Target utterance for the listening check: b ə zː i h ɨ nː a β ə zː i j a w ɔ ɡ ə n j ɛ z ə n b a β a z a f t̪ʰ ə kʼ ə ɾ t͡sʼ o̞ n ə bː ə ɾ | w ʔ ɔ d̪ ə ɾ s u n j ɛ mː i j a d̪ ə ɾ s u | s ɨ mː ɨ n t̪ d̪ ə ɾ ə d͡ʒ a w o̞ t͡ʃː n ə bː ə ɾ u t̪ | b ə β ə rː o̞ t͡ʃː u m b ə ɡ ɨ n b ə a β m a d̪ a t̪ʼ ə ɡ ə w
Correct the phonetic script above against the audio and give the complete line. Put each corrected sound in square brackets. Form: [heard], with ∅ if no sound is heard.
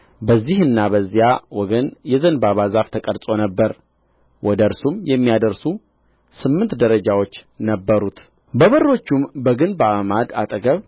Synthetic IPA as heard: b ə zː i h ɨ nː a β ə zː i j a w ɔ ɡ ə n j ɛ z ə n b a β a z a f t̪ʰ ə kʼ ə ɾ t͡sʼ o̞ n ə bː ə ɾ | w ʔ ɔ d̪ ə ɾ s u [m] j ɛ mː i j a d̪ ə ɾ s u | s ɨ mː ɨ n t̪ d̪ ə ɾ ə d͡ʒ a w o̞ t͡ʃː n ə bː ə ɾ u t̪ | b ə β ə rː o̞ t͡ʃː u m b ə ɡ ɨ n b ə a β m a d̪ a t̪ʼ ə ɡ ə [β]

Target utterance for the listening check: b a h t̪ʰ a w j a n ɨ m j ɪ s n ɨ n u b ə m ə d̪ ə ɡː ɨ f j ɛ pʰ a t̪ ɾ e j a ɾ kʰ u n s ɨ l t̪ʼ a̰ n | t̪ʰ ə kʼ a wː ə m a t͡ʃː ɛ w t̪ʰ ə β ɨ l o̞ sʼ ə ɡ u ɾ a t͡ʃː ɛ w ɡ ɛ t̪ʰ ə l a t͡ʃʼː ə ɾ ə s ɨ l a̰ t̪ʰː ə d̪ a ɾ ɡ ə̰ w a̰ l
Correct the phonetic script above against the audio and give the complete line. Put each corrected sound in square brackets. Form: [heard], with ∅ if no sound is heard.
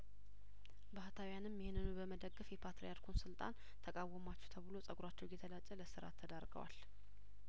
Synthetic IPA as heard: b a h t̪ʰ a w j a n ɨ m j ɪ [h] n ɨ n u b ə m ə d̪ ə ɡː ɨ f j ɛ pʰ a t̪ ɾ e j a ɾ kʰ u n s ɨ l t̪ʼ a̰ n | t̪ʰ ə kʼ a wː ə m a t͡ʃː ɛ w t̪ʰ ə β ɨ l o̞ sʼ ə ɡ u ɾ a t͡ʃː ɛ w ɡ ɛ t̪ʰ ə l a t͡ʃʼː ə [l] ə s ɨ [ɾ] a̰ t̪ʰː ə d̪ a ɾ ɡ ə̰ w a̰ l

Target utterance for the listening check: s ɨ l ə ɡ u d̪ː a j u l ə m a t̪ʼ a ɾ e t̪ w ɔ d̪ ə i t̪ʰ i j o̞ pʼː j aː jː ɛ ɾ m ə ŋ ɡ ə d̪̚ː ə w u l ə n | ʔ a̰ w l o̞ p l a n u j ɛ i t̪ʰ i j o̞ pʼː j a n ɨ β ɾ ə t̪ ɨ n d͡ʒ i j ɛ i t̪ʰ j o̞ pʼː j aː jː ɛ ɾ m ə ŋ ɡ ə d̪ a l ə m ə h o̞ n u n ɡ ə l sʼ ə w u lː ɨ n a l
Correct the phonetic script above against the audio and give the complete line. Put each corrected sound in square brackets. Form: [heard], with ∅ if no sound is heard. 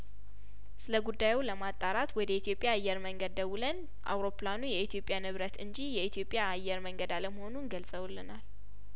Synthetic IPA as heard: s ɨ l ə ɡ u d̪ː a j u l ə m a t̪ʼ a ɾ [a] t̪ w ɔ d̪ ə i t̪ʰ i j o̞ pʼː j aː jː ɛ ɾ m ə ŋ ɡ ə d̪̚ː ə w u l ə n | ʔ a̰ w [ɾ] o̞ p l a n u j ɛ i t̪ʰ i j o̞ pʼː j a n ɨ β ɾ ə t̪ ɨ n d͡ʒ i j ɛ i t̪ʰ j o̞ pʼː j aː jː ɛ ɾ m ə ŋ ɡ ə d̪ a l ə m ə h o̞ n u n ɡ ə l sʼ ə w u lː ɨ n a l

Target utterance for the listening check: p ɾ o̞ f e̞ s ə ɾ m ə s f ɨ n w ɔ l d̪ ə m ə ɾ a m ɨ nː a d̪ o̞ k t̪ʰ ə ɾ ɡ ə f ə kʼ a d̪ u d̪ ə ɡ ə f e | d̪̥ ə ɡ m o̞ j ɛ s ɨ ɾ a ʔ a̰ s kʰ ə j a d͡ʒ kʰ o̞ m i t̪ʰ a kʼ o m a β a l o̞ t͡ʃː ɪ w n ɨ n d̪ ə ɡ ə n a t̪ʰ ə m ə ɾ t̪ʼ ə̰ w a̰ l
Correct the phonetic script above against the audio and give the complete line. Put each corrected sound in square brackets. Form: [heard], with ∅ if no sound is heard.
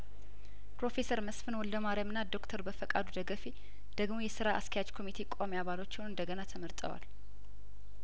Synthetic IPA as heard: p ɾ o̞ f e̞ s ə ɾ m ə s f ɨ n w ɔ l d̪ ə m [a] ɾ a m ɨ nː a d̪ o̞ k t̪ʰ ə ɾ [b] ə f ə kʼ a d̪ u d̪ ə ɡ ə f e | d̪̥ ə ɡ m o̞ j ɛ s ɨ ɾ a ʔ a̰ s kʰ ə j a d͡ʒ kʰ o̞ m i t̪ʰ [e] kʼ o m a β a l o̞ t͡ʃː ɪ w n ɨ n d̪ ə ɡ ə n a t̪ʰ ə m ə ɾ t̪ʼ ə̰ w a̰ l

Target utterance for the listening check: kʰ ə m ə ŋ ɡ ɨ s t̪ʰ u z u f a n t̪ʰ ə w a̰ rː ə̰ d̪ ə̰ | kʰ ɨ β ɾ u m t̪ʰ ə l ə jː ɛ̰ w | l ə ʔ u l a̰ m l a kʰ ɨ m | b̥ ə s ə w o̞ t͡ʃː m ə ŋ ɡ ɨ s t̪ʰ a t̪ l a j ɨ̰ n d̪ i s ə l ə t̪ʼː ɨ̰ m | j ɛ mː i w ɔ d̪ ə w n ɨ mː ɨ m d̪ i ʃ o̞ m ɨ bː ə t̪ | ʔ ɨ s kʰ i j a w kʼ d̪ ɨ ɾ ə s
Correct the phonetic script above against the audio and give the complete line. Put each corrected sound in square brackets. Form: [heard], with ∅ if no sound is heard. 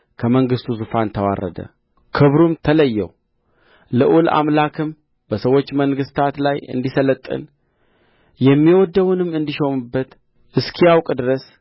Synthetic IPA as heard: kʰ ə m ə ŋ ɡ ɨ s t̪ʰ u z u f a n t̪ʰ ə w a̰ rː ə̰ d̪ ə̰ | kʰ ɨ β ɾ u m t̪ʰ ə l ə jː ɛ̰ w | l ə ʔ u l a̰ m l a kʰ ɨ m | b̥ ə s ə w o̞ t͡ʃː m ə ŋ ɡ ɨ s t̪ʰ a t̪ l a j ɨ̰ n d̪ i s ə l ə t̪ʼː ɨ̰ [n] | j ɛ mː i w ɔ d̪ ə w n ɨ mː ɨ [n] d̪ i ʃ o̞ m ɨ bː ə t̪ | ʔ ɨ s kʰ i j a w kʼ d̪ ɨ ɾ ə s

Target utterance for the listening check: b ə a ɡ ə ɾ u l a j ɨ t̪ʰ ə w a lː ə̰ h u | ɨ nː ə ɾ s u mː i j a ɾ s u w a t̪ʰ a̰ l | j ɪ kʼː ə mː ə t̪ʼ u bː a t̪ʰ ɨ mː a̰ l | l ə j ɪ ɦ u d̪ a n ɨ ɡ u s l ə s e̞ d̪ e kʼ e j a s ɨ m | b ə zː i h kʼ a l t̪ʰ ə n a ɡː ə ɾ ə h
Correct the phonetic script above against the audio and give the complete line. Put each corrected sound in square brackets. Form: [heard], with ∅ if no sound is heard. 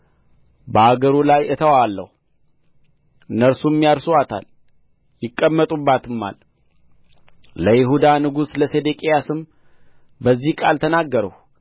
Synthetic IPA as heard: b ə a ɡ ə ɾ u l a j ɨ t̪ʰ ə w a lː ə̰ h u | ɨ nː ə ɾ s u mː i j a ɾ s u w a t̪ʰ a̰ l | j ɪ kʼː ə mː ə t̪ʼ u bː a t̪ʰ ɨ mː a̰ l | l ə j ɪ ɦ u d̪ a n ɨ ɡ u s l ə s e̞ d̪ e kʼ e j a s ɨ m | b ə zː i h kʼ a l t̪ʰ ə n a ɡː ə ɾ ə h

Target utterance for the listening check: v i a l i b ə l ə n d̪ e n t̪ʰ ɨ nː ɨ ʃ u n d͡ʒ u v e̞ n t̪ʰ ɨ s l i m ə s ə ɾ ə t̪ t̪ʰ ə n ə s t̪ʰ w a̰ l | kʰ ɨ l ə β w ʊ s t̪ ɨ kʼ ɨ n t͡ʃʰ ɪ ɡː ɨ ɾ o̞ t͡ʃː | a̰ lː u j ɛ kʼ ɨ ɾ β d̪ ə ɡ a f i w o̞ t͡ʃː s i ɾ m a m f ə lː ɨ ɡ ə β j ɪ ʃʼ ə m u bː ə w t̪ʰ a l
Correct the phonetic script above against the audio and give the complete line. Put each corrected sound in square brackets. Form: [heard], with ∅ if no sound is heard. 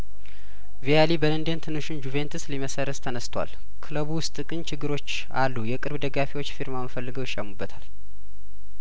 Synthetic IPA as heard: v i a l i b ə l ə n d̪ e n t̪ʰ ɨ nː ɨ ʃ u n d͡ʒ u v e̞ n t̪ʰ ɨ s l i m ə s ə ɾ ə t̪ t̪ʰ ə n ə s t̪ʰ w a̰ l | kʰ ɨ l ə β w ʊ s [t̪ʼ] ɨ kʼ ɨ n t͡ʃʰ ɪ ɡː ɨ ɾ o̞ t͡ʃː | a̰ lː u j ɛ kʼ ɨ ɾ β d̪ ə ɡ a f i w o̞ t͡ʃː [f] i ɾ m a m f ə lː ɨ ɡ ə [w] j ɪ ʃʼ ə m u bː ə [∅] t̪ʰ a l

